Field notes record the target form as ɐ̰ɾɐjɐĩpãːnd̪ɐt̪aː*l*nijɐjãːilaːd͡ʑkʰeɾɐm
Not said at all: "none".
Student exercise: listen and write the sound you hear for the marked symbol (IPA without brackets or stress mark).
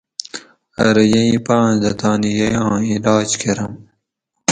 none